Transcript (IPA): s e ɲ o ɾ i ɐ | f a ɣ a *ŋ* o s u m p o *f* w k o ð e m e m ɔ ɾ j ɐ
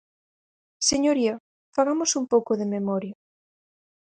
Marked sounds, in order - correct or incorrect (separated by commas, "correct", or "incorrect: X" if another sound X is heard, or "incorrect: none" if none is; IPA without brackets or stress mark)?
incorrect: m, incorrect: none